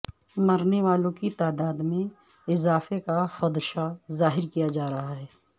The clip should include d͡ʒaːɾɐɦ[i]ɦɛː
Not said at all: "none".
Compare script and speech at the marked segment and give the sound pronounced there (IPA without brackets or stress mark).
a